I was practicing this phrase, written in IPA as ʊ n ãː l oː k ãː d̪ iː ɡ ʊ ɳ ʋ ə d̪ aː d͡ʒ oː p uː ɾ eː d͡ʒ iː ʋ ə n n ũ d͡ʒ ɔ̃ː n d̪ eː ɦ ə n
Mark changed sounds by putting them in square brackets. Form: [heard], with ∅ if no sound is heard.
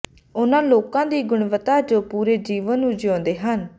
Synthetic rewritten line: ʊ n ãː l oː k ãː d̪ iː ɡ ʊ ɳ ʋ ə [t̪] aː d͡ʒ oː p uː ɾ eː d͡ʒ iː ʋ ə n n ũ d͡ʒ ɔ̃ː n d̪ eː ɦ ə n